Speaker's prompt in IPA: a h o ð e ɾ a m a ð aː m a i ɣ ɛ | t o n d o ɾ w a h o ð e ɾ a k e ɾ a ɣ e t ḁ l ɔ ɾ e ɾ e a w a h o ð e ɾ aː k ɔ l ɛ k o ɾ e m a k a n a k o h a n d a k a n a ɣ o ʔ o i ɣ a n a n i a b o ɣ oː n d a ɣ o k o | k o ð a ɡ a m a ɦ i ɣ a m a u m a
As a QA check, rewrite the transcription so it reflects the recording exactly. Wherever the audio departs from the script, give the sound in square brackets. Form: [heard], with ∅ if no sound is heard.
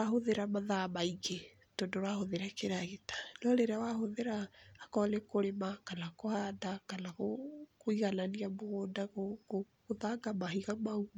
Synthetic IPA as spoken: a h o ð e ɾ a m a ð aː m a i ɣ [e] | t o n d o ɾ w a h o ð e ɾ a k e ɾ a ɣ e t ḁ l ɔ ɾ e ɾ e a w a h o ð e ɾ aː k ɔ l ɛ k o ɾ e m a k a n a k o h a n d a k a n a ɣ o [k] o i ɣ a n a n i a [m] o ɣ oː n d a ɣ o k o | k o ð a ɡ a m a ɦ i ɣ a m a u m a